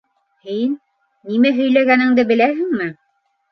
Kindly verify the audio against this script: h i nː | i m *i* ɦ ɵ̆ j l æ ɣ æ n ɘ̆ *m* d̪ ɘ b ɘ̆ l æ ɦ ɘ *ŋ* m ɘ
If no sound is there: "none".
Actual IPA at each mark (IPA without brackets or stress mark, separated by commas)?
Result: æ, ŋ, ŋ